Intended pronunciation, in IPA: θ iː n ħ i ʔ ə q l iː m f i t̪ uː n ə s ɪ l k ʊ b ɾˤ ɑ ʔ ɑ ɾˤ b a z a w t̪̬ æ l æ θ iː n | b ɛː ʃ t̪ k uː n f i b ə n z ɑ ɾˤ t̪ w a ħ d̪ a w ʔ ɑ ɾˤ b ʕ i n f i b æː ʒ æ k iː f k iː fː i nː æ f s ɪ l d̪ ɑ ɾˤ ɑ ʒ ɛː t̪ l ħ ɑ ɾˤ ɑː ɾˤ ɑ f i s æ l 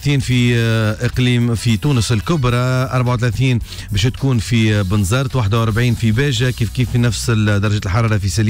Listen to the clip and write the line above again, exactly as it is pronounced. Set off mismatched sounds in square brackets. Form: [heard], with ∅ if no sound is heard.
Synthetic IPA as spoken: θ iː n [f] i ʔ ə q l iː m f i t̪ uː n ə s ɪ l k ʊ b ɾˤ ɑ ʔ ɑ ɾˤ b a [ʕ] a w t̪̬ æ l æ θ iː n | b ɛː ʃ t̪ k uː n f i b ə n z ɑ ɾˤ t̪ w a ħ d̪ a w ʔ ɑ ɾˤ b ʕ [iː] n f i b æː ʒ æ k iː f k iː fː i [n] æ f s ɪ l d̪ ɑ ɾˤ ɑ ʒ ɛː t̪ l ħ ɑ ɾˤ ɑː ɾˤ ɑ f i s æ l